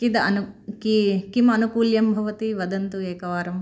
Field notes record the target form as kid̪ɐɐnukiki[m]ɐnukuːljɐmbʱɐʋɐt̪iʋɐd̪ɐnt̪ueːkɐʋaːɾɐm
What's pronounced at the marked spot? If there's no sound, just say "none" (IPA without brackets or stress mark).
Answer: m